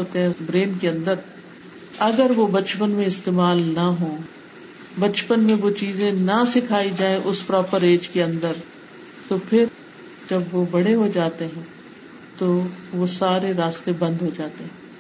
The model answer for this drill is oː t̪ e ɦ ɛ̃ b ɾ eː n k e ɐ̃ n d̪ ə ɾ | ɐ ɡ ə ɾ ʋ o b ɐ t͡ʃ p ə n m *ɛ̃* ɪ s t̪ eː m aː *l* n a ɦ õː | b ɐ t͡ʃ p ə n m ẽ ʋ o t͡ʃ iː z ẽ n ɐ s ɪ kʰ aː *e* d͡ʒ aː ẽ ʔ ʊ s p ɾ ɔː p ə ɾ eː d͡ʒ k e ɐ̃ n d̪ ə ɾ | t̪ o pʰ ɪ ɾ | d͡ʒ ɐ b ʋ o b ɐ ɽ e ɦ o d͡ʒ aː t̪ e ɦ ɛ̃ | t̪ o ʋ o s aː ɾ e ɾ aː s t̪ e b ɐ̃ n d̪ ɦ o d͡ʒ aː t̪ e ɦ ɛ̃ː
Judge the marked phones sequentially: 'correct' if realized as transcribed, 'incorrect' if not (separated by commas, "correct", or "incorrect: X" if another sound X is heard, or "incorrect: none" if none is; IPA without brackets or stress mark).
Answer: incorrect: ẽ, correct, incorrect: i